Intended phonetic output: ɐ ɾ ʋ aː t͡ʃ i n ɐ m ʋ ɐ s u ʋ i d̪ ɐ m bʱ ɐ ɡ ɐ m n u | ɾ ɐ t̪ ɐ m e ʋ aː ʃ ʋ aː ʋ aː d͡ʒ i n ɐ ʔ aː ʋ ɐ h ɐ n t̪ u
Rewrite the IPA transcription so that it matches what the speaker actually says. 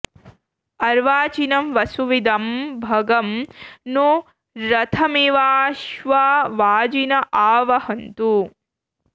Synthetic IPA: ɐ ɾ ʋ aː t͡ʃ i n ɐ m ʋ ɐ s u ʋ i d̪ ɐ m bʱ ɐ ɡ ɐ m n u | ɾ ɐ t̪ʰ ɐ m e ʋ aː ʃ ʋ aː ʋ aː d͡ʒ i n ɐ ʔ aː ʋ ɐ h ɐ n t̪ u